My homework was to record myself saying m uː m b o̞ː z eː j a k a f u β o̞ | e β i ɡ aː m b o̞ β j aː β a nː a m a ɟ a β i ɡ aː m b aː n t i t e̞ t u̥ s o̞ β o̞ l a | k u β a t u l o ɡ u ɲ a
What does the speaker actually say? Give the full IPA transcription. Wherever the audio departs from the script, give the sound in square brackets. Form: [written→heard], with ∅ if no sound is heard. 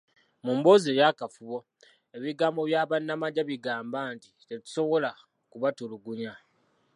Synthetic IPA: m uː m b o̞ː z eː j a k a f u β o̞ | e β i ɡ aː m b o̞ β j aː β a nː a m a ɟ a β i ɡ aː m b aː n t i t e̞ t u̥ s o̞ β o̞ l a | k u β a t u l [o→u] ɡ u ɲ a